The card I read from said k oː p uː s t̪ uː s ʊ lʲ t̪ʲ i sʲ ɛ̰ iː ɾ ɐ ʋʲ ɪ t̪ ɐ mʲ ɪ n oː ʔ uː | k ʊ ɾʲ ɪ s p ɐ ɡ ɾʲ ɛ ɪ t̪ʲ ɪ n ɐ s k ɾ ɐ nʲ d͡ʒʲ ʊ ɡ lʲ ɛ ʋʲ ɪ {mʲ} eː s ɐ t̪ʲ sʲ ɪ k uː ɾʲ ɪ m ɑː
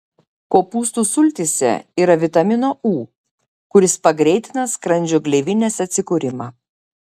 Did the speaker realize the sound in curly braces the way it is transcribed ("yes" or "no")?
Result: no